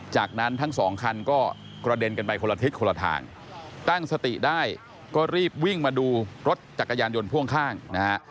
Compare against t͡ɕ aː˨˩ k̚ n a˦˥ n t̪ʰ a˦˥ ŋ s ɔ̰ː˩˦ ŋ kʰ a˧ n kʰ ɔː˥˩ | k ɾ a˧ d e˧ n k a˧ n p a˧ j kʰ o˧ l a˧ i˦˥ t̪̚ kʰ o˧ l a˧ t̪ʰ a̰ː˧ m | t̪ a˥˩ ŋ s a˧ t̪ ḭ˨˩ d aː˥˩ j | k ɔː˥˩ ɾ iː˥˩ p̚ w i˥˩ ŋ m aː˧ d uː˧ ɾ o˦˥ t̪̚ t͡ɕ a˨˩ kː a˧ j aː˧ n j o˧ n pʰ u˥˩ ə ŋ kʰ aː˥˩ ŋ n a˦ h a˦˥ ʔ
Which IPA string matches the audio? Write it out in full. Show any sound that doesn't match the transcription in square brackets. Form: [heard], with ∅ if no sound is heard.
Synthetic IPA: t͡ɕ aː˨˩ k̚ n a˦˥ n t̪ʰ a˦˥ ŋ s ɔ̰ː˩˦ ŋ kʰ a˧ n [k] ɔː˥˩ | k ɾ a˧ d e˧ n k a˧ n p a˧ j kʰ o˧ l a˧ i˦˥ t̪̚ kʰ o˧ l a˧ t̪ʰ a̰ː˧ [ŋ] | t̪ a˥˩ ŋ s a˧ t̪ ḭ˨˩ d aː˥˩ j | k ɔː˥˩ ɾ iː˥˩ p̚ w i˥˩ ŋ m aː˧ d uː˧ ɾ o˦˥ t̪̚ t͡ɕ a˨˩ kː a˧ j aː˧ n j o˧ n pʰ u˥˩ ə ŋ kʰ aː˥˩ ŋ n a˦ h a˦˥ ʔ